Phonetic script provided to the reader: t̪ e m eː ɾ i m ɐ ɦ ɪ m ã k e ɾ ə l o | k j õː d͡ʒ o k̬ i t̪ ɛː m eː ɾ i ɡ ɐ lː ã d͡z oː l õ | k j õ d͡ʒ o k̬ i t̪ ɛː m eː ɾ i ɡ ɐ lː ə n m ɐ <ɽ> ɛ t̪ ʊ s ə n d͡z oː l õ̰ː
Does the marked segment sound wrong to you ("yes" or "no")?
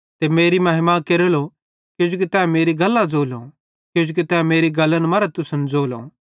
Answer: yes